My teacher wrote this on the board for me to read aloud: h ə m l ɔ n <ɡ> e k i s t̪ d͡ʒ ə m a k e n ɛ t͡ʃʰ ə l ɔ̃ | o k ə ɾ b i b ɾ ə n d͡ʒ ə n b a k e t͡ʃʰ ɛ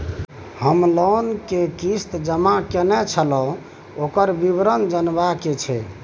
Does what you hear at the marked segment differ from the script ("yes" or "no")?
yes